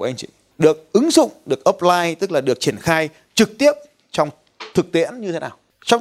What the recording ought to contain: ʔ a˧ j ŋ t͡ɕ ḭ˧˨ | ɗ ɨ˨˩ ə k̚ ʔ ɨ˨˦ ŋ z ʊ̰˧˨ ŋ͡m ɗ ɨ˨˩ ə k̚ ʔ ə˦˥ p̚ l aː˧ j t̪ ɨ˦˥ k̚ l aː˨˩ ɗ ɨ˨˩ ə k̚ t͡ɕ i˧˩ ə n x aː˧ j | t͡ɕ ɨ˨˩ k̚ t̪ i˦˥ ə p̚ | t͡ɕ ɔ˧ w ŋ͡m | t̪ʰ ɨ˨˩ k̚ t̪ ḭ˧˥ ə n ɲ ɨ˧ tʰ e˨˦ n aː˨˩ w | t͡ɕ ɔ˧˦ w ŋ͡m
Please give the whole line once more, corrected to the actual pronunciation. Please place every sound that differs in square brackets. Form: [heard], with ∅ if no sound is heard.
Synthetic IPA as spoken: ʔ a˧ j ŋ t͡ɕ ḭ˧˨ | ɗ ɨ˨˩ ə k̚ ʔ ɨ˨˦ ŋ z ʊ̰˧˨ ŋ͡m ɗ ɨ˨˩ ə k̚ ʔ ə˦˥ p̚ l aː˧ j t̪ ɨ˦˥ k̚ l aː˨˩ ɗ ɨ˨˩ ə k̚ t͡ɕ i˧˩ ə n x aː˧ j | t͡ɕ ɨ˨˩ k̚ t̪ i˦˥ ə p̚ | t͡ɕ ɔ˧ w ŋ͡m | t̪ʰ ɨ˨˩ k̚ t̪ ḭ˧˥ ə n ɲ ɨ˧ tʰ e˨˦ n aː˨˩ w | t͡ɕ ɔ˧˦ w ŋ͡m